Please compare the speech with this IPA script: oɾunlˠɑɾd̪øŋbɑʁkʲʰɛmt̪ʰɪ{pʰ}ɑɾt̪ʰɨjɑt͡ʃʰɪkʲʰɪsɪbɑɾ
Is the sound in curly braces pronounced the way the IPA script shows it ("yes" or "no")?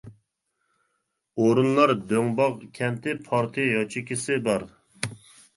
yes